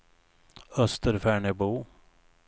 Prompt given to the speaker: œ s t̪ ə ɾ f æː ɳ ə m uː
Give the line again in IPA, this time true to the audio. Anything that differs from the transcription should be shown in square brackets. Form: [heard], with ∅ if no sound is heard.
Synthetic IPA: œ s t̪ ə ɾ f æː ɳ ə [b] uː